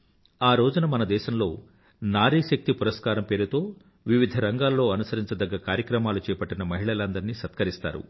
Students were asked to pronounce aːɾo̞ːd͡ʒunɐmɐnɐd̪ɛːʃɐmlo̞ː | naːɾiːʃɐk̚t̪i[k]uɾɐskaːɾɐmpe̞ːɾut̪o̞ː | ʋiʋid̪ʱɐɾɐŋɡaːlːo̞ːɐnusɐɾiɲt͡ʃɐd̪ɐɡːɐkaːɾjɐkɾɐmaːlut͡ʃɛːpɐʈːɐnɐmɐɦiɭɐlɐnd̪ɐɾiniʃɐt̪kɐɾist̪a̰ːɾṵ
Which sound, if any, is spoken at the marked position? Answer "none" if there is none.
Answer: p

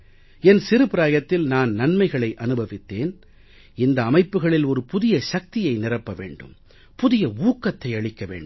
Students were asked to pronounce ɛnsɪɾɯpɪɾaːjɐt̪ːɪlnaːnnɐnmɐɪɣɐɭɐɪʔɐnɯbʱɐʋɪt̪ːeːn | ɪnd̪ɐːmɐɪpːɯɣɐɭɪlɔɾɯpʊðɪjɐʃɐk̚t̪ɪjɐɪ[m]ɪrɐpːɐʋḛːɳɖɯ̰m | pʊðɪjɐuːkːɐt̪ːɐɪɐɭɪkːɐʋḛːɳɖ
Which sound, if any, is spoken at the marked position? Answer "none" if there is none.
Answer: n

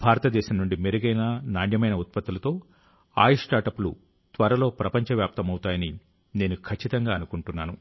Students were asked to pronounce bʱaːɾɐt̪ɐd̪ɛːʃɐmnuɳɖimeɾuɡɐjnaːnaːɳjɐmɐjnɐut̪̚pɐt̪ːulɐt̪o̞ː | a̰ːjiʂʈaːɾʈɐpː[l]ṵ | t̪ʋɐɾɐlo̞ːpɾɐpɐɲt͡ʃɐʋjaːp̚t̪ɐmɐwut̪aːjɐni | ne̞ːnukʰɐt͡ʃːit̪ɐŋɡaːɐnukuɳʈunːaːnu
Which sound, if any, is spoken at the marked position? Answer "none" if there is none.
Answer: l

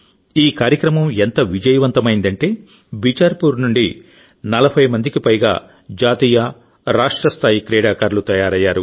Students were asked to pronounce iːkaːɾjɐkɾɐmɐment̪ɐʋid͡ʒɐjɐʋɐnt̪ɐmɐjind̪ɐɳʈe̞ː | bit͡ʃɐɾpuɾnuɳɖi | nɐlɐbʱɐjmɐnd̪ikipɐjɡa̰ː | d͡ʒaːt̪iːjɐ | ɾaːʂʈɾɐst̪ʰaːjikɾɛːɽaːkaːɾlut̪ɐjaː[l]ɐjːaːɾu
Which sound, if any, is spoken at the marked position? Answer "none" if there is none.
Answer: ɾ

